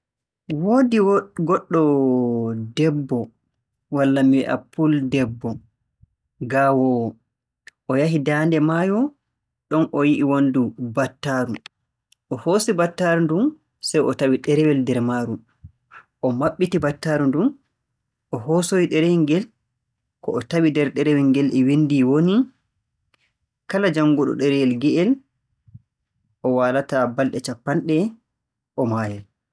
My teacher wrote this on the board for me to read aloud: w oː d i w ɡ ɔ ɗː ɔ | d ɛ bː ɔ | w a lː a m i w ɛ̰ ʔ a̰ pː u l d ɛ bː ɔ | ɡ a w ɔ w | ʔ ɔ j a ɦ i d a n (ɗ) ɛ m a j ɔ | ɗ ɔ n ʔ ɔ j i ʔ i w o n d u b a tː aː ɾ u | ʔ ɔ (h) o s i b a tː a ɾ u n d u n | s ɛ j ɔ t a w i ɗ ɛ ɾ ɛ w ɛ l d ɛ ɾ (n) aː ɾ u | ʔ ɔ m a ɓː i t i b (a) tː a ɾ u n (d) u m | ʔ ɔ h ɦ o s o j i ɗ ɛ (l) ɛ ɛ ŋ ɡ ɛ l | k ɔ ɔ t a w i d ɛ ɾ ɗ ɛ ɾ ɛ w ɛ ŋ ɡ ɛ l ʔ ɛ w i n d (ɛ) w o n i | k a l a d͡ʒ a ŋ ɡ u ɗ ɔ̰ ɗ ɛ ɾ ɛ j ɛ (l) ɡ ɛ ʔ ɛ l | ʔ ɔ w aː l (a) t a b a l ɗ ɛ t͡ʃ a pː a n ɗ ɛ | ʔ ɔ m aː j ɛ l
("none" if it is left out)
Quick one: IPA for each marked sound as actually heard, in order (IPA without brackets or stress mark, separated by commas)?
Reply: d, h, m, a, d, ɾ, i, l, a